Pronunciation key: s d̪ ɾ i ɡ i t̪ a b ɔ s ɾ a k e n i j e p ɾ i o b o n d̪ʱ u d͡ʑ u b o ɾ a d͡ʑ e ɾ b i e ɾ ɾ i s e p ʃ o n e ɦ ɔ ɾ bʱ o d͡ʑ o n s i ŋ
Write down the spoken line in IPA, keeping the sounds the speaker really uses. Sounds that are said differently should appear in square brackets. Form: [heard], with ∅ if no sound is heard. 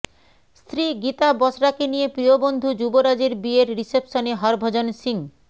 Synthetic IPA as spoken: s [t̪] ɾ i ɡ i t̪ a b ɔ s ɾ a k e n i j e p ɾ i o b o n d̪ʱ u d͡ʑ u b o ɾ a d͡ʑ e ɾ b i e ɾ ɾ i s e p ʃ o n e ɦ ɔ ɾ bʱ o d͡ʑ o n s i ŋ